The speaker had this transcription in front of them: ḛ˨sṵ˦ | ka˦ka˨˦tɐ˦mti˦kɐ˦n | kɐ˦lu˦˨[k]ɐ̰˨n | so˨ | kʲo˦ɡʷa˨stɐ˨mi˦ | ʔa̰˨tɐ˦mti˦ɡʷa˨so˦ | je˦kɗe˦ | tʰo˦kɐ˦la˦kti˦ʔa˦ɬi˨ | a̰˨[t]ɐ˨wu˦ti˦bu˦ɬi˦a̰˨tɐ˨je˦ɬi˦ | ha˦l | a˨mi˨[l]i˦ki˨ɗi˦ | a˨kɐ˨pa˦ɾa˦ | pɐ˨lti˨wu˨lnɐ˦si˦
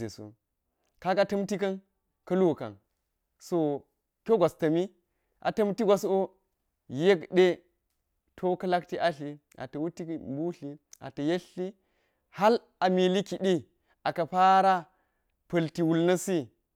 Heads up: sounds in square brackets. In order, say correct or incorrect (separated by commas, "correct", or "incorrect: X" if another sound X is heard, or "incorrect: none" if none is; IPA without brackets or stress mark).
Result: correct, correct, correct